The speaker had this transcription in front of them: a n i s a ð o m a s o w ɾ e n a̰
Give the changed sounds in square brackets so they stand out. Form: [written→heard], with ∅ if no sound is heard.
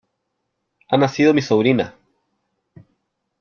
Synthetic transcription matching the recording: a n [i→a] s [a→i] ð o m [a→i] s o [w→β] ɾ [e→i] n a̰